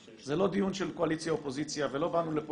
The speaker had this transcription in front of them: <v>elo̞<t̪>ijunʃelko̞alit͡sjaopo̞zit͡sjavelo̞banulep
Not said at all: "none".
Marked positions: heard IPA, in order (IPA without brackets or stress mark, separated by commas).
z, d̪